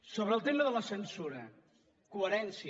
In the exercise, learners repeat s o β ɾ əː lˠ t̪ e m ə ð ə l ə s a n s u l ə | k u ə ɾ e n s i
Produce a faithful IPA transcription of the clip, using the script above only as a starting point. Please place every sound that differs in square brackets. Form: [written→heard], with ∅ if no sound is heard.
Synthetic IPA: s o β ɾ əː lˠ t̪ e m ə ð ə l ə s [a→ə] n s u [l→ɾ] ə | k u ə ɾ [e→ɛ] n s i

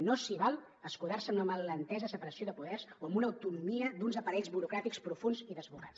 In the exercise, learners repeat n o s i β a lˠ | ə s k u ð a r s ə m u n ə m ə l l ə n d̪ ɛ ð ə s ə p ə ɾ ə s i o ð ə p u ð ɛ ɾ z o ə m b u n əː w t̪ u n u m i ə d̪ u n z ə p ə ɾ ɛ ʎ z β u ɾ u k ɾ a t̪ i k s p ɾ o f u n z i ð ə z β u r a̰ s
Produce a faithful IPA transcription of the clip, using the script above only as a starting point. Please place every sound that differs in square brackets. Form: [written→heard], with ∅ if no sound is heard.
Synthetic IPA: n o s i β a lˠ | ə s k u ð a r s ə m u n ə m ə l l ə n [d̪→t̪] ɛ [ð→z] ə s ə p ə ɾ ə s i o ð ə p u ð ɛ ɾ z o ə m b u n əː w t̪ u n u m i ə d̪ u n z ə p ə ɾ ɛ ʎ z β u ɾ u k ɾ a t̪ i k s p ɾ [o→u] f u n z i ð ə z β u r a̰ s

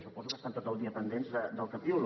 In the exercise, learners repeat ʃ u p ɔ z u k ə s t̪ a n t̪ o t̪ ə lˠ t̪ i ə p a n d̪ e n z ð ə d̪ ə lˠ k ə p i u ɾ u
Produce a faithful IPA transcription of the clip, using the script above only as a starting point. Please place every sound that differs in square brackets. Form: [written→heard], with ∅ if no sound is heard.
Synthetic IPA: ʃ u p ɔ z u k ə s t̪ a n t̪ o t̪ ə lˠ [t̪→d̪] i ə p [a→ə] n d̪ e n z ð ə d̪ ə lˠ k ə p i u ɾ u

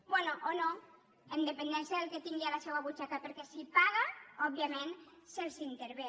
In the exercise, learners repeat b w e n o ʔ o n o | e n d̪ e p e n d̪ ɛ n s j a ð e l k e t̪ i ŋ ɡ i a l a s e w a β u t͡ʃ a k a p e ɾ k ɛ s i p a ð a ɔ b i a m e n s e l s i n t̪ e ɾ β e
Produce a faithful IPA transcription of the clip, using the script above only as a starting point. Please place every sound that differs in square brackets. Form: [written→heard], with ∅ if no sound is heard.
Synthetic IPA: b w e n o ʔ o n o | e n d̪ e p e n d̪ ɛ n s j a ð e l k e t̪ i ŋ ɡ i a l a s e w a β u t͡ʃ a k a p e ɾ k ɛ s i p a [ð→ɣ] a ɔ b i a m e n s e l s i n t̪ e ɾ β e

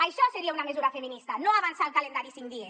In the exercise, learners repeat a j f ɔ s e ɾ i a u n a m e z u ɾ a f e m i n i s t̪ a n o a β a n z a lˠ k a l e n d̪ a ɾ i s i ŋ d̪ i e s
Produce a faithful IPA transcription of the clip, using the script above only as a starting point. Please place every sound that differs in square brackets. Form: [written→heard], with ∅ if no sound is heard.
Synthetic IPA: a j [f→ʃ] ɔ s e ɾ i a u n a m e z u ɾ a f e m i n i s t̪ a n o a β a n [z→s] a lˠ k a l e n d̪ a ɾ i s i ŋ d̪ i e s

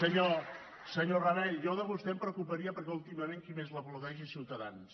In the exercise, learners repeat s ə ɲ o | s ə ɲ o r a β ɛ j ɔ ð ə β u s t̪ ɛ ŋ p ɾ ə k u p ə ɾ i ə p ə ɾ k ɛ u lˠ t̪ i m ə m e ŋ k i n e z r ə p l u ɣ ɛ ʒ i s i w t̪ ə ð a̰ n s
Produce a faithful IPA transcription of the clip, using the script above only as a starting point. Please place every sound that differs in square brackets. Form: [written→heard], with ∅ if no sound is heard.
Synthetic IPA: s ə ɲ o | s ə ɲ o r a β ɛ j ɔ ð ə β u s t̪ ɛ [ŋ→m] p ɾ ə k u p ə ɾ i ə p ə ɾ k ɛ u lˠ t̪ i m ə m e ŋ k i [n→m] e z [r→l] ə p l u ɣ ɛ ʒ i s i w t̪ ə ð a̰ n s

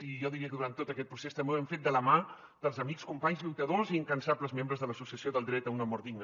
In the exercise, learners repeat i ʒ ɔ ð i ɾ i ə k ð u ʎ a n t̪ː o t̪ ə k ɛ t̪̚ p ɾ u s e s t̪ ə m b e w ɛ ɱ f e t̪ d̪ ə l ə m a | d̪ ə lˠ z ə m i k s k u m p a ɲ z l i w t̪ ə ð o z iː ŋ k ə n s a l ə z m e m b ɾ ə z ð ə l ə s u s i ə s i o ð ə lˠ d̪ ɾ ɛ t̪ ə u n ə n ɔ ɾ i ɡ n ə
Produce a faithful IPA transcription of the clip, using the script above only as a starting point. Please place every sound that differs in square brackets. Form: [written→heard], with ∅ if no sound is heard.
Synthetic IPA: i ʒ ɔ ð i ɾ i ə k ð u [ʎ→ɾ] a n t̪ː o t̪ ə k ɛ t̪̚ p ɾ u s e s t̪ ə m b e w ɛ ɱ f e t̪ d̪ ə l ə m a | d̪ ə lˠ z ə m i k s k u m p a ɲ z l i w t̪ ə ð o z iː ŋ k ə n s a l ə z m e m b ɾ ə z ð ə l ə s u s i ə s i o ð ə lˠ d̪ ɾ ɛ t̪ ə u n ə [n→m] ɔ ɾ i ɡ n ə

